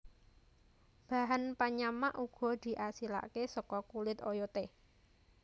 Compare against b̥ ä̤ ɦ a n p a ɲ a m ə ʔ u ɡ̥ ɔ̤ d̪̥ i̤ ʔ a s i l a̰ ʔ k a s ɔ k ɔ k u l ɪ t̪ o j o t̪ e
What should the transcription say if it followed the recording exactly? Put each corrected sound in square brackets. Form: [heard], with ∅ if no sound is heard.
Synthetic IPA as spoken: b̥ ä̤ ɦ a n p a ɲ a m [a] ʔ u ɡ̥ ɔ̤ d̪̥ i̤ ʔ a s i l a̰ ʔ k [e] s ɔ k ɔ k u l ɪ t̪ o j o t̪ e

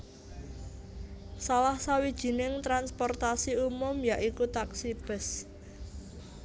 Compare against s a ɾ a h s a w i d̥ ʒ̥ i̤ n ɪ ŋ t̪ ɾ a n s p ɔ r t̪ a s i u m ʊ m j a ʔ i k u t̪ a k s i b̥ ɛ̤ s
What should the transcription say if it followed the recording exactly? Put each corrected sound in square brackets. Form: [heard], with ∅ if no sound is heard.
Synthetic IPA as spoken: s a [l] a h s a w i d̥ ʒ̥ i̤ n ɪ ŋ t̪ ɾ a n s p ɔ r t̪ a s i u m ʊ m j a ʔ i k u t̪ a k s i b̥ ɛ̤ s

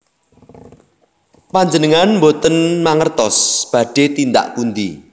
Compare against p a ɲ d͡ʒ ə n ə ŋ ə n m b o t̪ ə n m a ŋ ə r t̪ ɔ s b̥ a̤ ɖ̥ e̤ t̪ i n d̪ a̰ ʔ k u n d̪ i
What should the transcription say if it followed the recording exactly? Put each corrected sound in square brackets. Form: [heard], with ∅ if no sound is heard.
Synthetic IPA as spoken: p a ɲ d͡ʒ ə n ə ŋ [a] n m b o t̪ ə n m a ŋ ə r t̪ ɔ s b̥ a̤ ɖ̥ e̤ t̪ i n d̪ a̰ ʔ k u n d̪ i

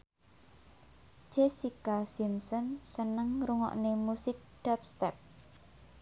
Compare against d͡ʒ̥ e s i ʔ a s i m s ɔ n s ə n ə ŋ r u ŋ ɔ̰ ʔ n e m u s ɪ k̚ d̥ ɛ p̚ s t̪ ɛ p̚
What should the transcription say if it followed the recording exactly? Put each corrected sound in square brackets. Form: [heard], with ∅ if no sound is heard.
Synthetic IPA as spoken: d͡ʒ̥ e s i [k] a s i m s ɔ n s ə n ə ŋ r u ŋ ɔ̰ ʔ n e m u s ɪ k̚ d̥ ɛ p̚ s t̪ ɛ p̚

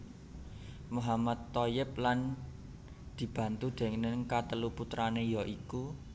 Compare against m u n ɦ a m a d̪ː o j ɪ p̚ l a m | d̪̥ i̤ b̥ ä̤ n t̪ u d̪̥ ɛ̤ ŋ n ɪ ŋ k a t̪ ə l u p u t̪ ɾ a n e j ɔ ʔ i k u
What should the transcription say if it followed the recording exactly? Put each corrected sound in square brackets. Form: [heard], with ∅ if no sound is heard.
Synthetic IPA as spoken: m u [∅] ɦ a m a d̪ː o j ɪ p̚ l a [n] | d̪̥ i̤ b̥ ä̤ n t̪ u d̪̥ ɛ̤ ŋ n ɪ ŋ k a t̪ ə l u p u t̪ ɾ a n e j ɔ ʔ i k u

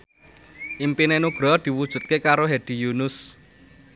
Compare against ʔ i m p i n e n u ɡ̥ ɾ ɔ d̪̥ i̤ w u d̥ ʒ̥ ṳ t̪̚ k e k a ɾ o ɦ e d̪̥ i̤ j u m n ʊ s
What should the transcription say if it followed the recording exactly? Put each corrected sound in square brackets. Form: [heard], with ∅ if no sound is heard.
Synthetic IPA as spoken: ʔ i m p i n e n u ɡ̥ ɾ ɔ d̪̥ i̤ w u d̥ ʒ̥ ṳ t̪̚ k e k a ɾ o ɦ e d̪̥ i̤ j u [∅] n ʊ s

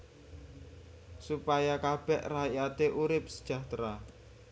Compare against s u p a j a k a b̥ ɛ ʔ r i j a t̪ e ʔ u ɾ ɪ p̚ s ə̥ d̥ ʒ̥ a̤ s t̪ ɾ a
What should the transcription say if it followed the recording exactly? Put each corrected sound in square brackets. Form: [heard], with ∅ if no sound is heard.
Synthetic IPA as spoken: s u p a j a k a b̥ ɛ ʔ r [a] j a t̪ e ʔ u ɾ ɪ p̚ s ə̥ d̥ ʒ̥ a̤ [h] t̪ ɾ a

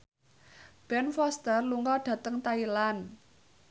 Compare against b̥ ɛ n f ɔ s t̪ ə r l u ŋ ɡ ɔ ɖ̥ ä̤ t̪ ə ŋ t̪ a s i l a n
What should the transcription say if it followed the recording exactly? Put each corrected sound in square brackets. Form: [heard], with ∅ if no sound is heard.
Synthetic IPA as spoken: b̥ ɛ n f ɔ s t̪ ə r l u ŋ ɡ ɔ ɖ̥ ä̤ t̪ ə ŋ t̪ a [∅] i l a n

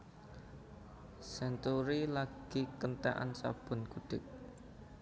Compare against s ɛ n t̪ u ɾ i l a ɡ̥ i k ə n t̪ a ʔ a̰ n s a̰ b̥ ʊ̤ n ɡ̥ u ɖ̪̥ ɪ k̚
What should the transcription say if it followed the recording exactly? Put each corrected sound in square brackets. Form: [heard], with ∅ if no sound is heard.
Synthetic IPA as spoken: s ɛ n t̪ u ɾ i l a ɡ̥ i k ə n t̪ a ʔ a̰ n s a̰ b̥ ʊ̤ n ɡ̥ u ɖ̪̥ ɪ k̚

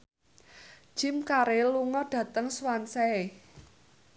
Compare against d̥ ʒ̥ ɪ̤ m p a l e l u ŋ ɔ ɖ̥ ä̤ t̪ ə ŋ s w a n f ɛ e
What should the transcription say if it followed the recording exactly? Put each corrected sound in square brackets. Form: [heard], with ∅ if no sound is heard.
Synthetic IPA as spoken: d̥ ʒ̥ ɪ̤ m [k] a [ɾ] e l u ŋ ɔ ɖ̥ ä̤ t̪ ə ŋ s w a n [s] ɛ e

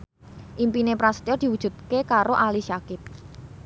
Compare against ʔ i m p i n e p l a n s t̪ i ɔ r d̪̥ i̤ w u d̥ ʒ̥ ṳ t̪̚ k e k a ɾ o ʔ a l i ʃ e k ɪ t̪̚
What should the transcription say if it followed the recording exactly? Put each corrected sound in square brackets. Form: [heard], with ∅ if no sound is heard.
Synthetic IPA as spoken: ʔ i m p i n e p [ɾ] a [∅] s t̪ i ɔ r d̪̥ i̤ w u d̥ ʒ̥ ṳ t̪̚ k e k a ɾ o ʔ a l i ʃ [a] k ɪ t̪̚

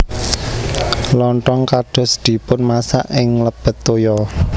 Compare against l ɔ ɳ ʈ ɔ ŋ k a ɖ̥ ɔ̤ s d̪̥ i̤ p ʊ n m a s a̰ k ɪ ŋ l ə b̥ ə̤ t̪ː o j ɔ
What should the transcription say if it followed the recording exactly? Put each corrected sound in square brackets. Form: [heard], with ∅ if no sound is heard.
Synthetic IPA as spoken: l ɔ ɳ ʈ ɔ ŋ k a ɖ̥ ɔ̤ s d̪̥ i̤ p ʊ n m a s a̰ [ʔ] ɪ ŋ l ə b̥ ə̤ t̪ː o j ɔ

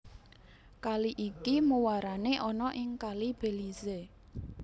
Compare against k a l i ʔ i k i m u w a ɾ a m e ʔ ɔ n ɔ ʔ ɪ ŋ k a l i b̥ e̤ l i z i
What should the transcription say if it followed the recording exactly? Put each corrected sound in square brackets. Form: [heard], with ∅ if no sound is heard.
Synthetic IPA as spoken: k a l i ʔ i k i m u w a ɾ a [n] e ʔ ɔ n ɔ ʔ ɪ ŋ k a l i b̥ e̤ l i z [e]

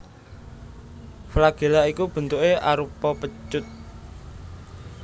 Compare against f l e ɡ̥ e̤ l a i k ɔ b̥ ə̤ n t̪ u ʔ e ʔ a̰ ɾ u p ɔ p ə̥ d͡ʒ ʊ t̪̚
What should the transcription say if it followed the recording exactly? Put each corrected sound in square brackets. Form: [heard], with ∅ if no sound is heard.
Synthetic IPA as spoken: f l [a] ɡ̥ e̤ l a i k [u] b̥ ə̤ n t̪ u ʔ e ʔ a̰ ɾ u p ɔ p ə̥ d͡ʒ ʊ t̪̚

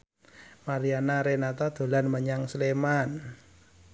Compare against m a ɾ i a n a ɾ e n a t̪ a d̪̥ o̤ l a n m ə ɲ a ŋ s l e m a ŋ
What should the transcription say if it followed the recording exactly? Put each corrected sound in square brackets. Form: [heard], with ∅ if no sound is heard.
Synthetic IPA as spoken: m a ɾ i a n a ɾ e n a t̪ a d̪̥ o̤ l a n m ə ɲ a ŋ s l e m a [n]

